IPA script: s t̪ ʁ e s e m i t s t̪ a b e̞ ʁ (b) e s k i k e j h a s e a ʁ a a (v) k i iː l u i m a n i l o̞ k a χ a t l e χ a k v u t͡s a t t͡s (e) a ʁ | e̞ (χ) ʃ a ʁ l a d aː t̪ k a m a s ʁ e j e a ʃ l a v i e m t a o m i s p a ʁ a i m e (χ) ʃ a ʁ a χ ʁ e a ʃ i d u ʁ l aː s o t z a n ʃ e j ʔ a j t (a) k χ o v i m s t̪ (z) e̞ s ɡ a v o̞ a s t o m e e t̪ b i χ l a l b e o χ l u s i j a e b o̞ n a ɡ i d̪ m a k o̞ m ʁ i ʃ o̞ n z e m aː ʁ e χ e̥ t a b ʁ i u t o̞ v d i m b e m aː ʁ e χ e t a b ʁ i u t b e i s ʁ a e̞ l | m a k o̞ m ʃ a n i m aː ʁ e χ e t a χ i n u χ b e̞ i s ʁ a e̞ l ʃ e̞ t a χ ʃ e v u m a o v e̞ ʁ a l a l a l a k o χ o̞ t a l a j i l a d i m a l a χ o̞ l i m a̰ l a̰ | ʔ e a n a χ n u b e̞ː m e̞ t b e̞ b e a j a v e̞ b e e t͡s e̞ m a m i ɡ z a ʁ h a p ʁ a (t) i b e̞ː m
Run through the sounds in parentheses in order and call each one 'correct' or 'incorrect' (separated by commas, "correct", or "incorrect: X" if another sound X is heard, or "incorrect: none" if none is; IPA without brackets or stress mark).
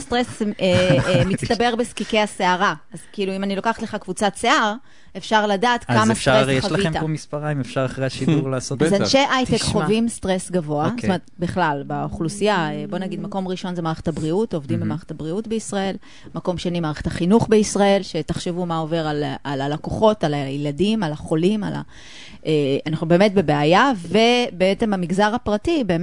correct, incorrect: z, correct, incorrect: f, incorrect: f, incorrect: e, incorrect: ʁ, correct